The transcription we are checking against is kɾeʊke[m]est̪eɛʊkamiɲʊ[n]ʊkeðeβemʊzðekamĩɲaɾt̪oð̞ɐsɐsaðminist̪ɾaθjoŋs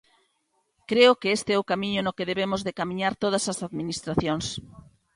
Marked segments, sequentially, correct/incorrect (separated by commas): incorrect, correct